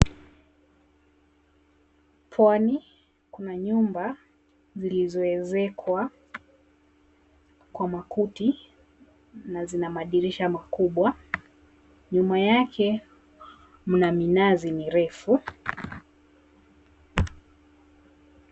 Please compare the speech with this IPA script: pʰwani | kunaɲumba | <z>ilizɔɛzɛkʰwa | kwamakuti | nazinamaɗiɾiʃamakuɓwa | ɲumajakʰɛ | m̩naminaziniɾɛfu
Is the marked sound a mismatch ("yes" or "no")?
no